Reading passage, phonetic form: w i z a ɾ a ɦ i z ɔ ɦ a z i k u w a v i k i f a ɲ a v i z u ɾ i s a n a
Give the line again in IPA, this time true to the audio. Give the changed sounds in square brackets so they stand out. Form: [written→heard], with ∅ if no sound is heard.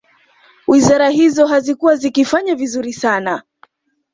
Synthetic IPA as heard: w i z a ɾ a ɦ i z ɔ ɦ a z i k u w a [v→z] i k i f a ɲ a v i z u ɾ i s a n a

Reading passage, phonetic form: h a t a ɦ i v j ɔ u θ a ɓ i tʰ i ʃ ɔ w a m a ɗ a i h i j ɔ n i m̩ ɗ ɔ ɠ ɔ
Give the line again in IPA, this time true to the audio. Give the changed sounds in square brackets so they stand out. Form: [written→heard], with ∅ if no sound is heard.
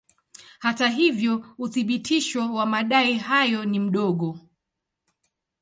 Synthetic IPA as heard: h a t a ɦ i v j ɔ u θ [a→i] ɓ i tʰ i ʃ ɔ w a m a ɗ a i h [i→a] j ɔ n i m̩ ɗ ɔ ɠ ɔ

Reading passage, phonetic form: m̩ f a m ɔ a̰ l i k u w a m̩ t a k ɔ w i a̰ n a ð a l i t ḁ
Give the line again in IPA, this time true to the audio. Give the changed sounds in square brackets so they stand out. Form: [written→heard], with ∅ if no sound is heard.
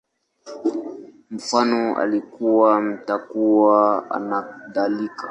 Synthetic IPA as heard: m̩ f a [m→n] ɔ a̰ l i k u w a m̩ t a k [ɔ→u] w [i→a] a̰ n a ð a l i [t→k] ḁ

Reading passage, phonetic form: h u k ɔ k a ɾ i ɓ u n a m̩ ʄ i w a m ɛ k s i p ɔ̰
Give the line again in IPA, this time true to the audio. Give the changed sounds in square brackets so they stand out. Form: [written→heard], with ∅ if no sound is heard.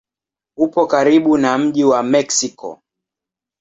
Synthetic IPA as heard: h u [k→p] ɔ k a ɾ i ɓ u n a m̩ ʄ i w a m ɛ k s i [p→k] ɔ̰

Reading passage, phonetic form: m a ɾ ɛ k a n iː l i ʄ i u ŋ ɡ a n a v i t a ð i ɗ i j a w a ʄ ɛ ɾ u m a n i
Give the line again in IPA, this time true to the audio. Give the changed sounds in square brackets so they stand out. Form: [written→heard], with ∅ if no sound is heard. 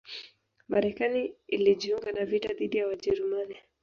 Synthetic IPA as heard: m a ɾ ɛ k a n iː l i ʄ i u ŋ ɡ a n a v i t a ð i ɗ i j a w a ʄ ɛ ɾ u m a n i

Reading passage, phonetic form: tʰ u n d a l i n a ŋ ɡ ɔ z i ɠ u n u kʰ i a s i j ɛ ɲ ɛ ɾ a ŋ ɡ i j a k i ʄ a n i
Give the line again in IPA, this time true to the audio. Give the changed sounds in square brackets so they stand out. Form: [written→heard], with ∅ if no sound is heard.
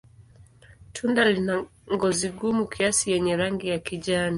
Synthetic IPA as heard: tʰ u n d a l i n a ŋ ɡ ɔ z i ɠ u [n→m] u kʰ i a s i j ɛ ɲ ɛ ɾ a ŋ ɡ i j a k i ʄ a n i

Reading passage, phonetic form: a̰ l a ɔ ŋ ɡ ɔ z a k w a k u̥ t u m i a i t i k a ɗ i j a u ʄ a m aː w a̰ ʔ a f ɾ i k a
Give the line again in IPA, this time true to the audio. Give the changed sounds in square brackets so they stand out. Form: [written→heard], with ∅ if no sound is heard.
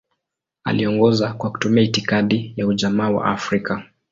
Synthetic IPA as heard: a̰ l [a→i] ɔ ŋ ɡ ɔ z a k w a k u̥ t u m i a i t i k a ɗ i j a u ʄ a m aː w a̰ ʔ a f ɾ i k a

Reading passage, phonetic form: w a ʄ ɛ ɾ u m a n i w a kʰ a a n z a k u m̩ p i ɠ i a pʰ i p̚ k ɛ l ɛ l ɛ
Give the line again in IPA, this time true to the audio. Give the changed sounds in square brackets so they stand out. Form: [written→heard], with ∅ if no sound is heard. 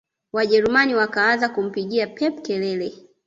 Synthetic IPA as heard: w a ʄ ɛ ɾ u m a n i w a [kʰ→k] a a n z a k u m̩ p i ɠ i a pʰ [i→ɛ] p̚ k ɛ l ɛ l ɛ

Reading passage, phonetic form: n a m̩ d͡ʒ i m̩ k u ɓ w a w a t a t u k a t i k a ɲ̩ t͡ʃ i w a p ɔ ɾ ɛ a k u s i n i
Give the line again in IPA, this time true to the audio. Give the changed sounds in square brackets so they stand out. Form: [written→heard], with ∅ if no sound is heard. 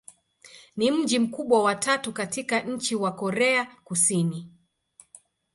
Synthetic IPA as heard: n [a→i] m̩ d͡ʒ i m̩ k u ɓ w a w a t a t u k a t i k a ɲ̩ t͡ʃ i w a [p→k] ɔ ɾ ɛ a k u s i n i

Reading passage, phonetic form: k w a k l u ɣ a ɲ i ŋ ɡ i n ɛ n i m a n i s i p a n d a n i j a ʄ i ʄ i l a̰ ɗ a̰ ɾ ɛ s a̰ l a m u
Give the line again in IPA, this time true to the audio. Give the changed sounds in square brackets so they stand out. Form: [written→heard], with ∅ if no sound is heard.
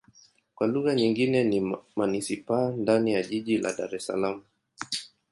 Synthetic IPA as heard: k w a [k→∅] l u ɣ a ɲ i ŋ ɡ i n ɛ n i m a n i s i p a n d a n i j a ʄ i ʄ i l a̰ ɗ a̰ ɾ ɛ s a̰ l a m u

